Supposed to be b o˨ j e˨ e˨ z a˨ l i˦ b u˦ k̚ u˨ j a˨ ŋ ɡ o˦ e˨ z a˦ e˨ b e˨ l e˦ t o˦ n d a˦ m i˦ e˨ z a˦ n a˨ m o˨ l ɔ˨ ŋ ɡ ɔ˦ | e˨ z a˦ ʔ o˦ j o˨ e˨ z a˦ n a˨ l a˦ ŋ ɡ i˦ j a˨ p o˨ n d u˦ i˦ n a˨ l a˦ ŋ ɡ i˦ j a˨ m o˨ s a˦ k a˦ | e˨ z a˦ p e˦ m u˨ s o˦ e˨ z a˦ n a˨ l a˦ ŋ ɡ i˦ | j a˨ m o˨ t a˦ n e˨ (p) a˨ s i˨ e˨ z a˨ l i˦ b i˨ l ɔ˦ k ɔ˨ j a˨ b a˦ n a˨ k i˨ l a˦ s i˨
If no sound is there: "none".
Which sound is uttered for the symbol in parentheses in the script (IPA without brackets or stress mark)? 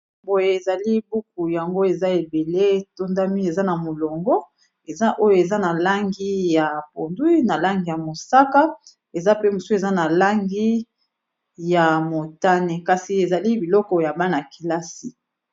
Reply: k